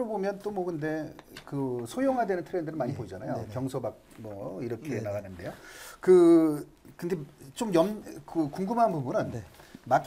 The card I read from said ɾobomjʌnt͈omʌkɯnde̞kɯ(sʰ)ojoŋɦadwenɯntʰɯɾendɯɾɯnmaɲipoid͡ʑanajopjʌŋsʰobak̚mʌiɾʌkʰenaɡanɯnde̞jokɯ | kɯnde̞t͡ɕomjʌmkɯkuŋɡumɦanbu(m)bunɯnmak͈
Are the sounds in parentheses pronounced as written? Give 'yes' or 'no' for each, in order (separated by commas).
yes, yes